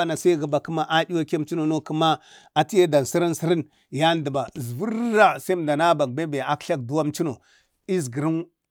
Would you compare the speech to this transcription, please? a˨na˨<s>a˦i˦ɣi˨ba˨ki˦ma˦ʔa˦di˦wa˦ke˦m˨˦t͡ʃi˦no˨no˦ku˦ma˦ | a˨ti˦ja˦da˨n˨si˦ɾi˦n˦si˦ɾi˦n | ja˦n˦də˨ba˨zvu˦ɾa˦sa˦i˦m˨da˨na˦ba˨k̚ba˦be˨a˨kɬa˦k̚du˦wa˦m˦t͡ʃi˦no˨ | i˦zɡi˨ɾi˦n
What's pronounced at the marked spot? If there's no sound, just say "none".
s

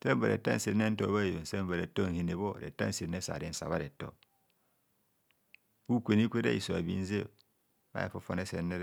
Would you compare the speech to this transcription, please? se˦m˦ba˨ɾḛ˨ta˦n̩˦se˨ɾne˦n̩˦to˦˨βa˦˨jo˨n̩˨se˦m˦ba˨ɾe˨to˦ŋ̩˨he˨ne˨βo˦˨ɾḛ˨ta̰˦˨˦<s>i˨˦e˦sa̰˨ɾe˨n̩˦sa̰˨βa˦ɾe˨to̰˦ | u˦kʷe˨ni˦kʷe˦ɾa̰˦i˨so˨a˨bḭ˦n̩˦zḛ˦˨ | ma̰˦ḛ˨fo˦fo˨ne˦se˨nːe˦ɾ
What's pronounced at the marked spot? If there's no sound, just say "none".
s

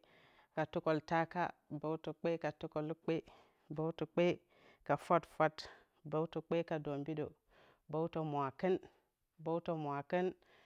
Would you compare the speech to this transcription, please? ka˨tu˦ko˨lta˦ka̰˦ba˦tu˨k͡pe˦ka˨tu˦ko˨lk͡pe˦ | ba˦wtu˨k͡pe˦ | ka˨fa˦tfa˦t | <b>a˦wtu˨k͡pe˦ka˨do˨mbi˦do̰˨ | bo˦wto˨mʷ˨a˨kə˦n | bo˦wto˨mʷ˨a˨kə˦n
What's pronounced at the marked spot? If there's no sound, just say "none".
b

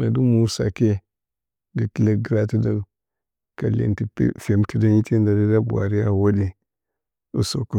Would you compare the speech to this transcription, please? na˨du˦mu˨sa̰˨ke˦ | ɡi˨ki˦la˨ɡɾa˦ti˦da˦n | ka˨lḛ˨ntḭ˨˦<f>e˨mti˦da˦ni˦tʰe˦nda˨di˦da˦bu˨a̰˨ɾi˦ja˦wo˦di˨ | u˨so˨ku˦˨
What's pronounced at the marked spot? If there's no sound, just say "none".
f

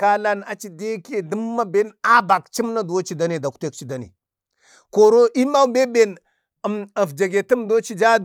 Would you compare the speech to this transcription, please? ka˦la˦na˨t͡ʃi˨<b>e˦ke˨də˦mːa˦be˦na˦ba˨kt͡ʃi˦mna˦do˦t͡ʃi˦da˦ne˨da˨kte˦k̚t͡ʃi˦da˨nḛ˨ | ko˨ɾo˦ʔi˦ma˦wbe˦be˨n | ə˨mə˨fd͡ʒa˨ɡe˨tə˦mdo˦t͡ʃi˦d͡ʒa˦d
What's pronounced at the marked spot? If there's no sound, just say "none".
d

